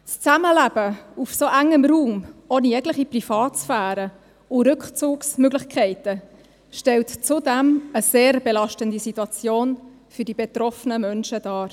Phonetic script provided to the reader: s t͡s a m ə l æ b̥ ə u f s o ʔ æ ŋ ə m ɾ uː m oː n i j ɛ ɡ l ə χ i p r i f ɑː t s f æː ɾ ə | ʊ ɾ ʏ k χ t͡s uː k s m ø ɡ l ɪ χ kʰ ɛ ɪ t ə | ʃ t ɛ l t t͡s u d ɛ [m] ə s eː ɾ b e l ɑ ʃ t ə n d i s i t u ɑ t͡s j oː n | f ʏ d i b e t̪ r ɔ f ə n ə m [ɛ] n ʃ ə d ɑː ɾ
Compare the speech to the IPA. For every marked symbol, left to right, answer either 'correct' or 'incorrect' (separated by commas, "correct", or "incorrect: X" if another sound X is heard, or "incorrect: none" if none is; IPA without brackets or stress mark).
correct, incorrect: œ